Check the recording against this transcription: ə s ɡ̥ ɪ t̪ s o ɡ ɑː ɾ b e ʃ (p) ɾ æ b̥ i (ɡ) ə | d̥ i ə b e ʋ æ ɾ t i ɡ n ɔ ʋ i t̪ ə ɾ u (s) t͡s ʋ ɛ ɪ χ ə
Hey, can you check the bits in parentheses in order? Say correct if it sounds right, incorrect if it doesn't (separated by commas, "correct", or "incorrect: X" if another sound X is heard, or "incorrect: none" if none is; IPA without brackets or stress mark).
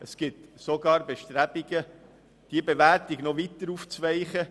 incorrect: t, correct, incorrect: f